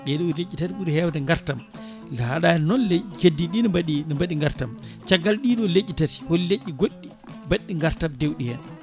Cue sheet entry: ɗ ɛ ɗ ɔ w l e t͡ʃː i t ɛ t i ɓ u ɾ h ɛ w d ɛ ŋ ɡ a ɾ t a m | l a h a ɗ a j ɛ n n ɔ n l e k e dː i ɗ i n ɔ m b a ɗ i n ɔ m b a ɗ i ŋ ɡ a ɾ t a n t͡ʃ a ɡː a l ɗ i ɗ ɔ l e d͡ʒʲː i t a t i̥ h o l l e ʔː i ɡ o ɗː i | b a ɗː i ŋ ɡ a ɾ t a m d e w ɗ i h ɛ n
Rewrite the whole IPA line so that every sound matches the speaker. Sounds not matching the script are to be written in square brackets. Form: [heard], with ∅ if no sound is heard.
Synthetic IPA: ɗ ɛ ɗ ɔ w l e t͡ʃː i t [a] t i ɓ u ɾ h ɛ w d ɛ ŋ ɡ a ɾ t a m | l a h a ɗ a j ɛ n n ɔ n l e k e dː i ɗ i n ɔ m b a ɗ i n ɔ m b a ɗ i ŋ ɡ a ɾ t a [m] t͡ʃ a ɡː a l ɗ i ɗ ɔ l e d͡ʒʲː i t a t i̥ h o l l e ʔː i ɡ o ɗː i | b a ɗː i ŋ ɡ a ɾ t a m d e w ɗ i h ɛ n